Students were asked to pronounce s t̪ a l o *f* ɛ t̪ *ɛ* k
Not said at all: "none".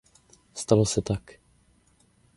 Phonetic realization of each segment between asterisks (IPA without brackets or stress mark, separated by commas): s, a